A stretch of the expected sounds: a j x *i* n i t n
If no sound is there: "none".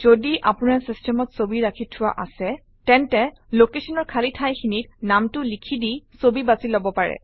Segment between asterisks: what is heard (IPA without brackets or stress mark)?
i